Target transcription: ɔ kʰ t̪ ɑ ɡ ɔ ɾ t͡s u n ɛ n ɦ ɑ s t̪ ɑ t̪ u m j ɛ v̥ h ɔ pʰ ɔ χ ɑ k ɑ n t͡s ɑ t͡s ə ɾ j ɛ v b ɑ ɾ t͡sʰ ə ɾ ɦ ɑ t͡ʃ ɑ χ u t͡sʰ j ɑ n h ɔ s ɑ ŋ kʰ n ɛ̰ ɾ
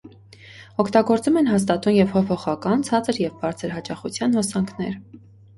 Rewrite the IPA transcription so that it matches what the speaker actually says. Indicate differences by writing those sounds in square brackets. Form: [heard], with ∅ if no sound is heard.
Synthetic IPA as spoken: ɔ kʰ t̪ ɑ ɡ ɔ ɾ t͡s u [m] ɛ n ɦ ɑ s t̪ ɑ t̪ u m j ɛ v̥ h ɔ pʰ ɔ χ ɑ k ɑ n [t͡sʰ] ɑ t͡s ə ɾ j ɛ v b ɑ ɾ t͡sʰ ə ɾ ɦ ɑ t͡ʃ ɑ χ u t͡sʰ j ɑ n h ɔ s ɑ ŋ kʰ n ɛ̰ ɾ